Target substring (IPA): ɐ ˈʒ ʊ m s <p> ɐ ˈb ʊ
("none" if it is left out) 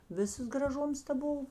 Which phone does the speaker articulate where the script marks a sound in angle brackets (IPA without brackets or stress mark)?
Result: t